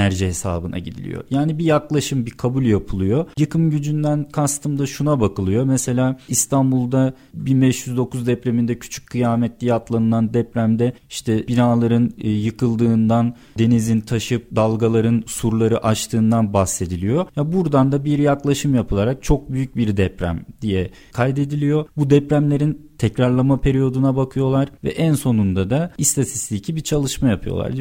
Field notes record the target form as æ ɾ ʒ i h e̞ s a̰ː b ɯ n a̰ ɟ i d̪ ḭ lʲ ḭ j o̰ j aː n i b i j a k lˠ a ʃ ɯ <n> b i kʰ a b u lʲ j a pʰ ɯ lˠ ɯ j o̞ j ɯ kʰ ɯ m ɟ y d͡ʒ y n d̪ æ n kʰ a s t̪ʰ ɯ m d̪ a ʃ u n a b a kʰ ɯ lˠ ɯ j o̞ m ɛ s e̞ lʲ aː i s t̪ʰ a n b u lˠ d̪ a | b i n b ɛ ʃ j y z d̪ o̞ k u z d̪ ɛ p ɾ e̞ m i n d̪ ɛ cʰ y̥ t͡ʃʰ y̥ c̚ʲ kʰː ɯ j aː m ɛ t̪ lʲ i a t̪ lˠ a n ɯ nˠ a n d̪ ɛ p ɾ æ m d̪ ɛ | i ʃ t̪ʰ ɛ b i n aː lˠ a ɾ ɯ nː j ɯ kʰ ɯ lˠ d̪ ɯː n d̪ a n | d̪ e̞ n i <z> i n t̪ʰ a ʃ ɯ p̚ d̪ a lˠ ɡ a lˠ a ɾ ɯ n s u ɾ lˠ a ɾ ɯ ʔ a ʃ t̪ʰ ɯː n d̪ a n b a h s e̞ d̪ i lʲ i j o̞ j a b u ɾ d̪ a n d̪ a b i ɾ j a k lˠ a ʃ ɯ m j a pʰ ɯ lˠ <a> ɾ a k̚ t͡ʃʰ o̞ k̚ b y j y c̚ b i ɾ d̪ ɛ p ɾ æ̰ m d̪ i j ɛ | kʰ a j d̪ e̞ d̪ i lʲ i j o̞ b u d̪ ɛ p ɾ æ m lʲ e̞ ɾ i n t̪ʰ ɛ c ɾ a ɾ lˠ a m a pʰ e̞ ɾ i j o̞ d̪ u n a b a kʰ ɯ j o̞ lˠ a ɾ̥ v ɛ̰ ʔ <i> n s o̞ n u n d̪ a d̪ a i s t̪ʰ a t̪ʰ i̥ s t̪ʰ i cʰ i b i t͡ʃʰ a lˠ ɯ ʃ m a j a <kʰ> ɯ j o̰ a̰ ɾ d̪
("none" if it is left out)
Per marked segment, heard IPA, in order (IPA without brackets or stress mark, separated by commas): m, z, a, æ, pʰ